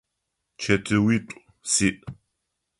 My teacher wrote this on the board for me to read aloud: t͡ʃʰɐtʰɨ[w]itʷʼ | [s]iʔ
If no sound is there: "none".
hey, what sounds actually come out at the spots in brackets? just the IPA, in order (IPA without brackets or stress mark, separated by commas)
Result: w, s